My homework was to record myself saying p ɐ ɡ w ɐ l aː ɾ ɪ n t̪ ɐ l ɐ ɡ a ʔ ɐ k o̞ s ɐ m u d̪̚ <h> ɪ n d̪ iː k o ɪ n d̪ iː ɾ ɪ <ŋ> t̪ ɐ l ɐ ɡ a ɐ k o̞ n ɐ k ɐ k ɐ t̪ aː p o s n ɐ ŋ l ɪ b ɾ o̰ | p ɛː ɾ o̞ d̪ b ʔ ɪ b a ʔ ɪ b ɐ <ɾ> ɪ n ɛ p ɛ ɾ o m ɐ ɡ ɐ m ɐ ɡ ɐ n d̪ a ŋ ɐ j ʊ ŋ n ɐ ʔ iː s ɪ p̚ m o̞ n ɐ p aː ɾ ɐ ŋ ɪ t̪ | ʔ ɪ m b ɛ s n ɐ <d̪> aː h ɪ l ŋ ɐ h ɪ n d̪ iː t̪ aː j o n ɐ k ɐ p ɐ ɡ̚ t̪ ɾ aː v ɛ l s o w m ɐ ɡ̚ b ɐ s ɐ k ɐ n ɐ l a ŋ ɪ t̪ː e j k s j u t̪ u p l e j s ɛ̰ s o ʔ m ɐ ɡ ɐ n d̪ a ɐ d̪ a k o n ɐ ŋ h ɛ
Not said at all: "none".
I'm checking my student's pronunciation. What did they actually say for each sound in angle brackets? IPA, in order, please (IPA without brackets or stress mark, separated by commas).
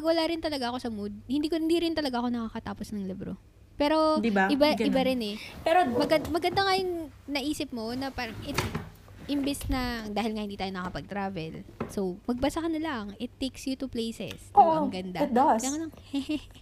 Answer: h, n, ɾ, d̪